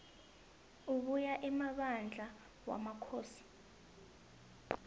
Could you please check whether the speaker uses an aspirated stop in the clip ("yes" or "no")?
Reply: yes